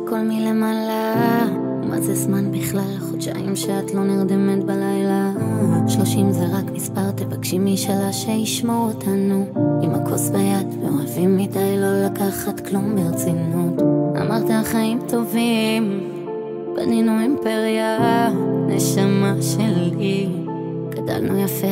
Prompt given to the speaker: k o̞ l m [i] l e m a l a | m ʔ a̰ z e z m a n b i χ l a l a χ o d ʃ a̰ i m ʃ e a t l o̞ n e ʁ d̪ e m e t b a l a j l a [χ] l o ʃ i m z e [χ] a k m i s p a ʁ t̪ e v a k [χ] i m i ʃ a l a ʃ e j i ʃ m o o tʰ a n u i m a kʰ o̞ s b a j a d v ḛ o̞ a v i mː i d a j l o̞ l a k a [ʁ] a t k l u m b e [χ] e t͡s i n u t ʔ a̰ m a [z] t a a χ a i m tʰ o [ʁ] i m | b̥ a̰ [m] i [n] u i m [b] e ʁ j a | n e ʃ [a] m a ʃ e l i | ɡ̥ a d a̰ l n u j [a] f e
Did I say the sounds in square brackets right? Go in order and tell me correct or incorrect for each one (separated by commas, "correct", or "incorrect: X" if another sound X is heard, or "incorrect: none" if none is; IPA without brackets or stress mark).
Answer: correct, incorrect: ʃ, incorrect: ʁ, incorrect: ʃ, incorrect: χ, incorrect: ʁ, incorrect: ʁ, incorrect: v, incorrect: n, correct, incorrect: p, correct, correct